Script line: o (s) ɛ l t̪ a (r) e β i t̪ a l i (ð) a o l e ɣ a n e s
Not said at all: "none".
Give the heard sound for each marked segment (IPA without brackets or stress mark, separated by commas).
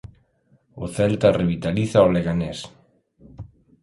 θ, r, θ